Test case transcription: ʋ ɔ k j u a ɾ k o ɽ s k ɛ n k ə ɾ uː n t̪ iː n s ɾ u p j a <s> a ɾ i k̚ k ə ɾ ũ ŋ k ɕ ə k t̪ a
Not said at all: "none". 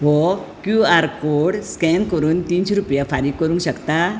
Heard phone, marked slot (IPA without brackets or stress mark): f